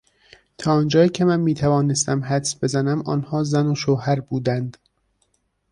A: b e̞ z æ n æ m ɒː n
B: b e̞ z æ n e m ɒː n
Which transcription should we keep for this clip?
A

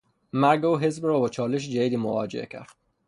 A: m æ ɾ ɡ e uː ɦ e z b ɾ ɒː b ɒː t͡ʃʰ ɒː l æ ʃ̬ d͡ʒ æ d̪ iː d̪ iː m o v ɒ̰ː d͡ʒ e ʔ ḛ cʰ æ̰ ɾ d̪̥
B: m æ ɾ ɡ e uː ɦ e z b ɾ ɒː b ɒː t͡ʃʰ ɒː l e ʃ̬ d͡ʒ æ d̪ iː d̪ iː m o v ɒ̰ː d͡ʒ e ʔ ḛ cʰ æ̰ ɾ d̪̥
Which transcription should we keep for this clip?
B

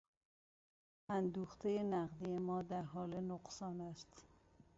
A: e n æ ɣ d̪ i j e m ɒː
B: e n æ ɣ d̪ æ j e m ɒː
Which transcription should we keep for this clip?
A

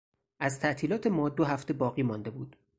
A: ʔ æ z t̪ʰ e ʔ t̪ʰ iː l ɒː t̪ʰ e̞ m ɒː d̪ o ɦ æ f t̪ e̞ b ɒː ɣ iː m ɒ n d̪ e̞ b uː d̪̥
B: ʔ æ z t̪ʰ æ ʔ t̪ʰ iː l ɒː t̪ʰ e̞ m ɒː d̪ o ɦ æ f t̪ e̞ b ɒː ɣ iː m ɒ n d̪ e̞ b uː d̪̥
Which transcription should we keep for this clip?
B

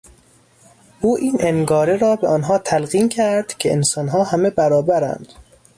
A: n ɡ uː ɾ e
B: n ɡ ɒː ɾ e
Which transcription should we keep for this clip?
B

